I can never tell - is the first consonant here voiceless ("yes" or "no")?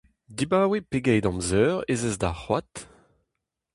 no